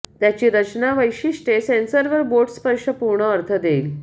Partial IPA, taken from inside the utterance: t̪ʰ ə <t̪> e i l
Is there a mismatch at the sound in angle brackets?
yes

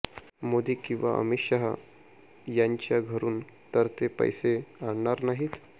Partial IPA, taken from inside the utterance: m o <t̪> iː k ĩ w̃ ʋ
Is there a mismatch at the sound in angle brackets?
yes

